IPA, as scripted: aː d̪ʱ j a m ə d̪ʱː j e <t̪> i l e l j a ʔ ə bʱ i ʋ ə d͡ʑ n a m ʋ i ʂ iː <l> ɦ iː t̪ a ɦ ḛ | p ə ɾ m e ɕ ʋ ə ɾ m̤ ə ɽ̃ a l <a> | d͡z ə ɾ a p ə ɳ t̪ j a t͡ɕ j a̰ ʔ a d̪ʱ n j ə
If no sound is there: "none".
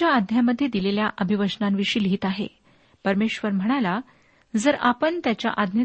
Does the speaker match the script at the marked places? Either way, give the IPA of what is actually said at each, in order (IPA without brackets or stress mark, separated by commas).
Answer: d̪, l, a